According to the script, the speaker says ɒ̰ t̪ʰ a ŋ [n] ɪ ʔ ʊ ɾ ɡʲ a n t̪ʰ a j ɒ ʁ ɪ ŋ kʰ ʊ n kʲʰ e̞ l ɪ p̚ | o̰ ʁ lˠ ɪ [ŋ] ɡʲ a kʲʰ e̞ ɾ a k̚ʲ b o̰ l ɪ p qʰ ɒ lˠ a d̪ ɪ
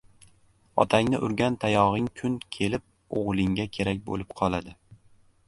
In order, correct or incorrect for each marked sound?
correct, correct

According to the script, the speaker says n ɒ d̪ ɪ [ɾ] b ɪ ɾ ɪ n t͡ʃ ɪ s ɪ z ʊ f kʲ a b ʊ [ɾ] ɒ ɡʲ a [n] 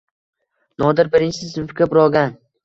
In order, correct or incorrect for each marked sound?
correct, correct, correct

